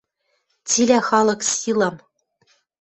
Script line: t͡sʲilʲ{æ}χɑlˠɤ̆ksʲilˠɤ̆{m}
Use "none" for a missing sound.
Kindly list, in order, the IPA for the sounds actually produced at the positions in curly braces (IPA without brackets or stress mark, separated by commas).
æ, m